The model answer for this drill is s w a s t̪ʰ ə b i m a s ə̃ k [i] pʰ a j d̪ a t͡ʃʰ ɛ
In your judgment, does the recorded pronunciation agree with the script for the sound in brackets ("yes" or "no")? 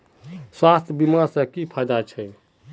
yes